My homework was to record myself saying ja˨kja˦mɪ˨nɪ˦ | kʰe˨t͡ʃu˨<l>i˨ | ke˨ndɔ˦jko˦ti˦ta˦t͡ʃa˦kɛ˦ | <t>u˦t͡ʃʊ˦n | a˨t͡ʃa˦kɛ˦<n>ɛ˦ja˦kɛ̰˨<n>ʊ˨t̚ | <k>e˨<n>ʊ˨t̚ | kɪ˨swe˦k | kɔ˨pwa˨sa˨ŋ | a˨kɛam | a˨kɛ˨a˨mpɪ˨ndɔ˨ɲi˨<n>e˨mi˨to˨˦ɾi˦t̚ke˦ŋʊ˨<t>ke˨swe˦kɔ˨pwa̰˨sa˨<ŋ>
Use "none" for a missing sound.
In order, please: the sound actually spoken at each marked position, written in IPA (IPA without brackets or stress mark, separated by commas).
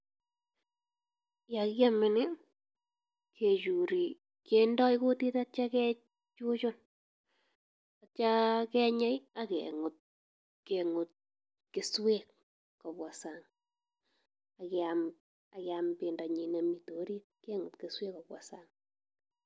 ɾ, t͡ʃ, ɲ, ŋ, k, ŋ, n, t, ŋ